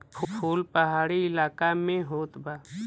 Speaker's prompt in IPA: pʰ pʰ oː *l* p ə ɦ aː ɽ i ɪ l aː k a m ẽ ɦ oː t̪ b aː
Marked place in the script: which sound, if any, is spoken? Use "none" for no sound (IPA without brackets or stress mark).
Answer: l